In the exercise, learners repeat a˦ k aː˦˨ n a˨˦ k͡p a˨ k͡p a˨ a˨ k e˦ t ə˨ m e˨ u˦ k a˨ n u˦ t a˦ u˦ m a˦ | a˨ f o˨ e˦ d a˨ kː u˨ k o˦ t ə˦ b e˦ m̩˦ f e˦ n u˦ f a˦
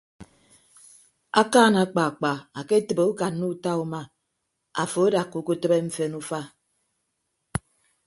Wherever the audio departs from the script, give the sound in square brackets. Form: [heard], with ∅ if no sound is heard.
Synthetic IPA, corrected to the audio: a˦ k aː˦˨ n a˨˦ k͡p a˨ k͡p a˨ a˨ k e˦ t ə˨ [b] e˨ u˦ k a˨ n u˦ t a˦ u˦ m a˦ | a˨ f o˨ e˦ d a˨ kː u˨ k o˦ t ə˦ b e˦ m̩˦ f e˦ n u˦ f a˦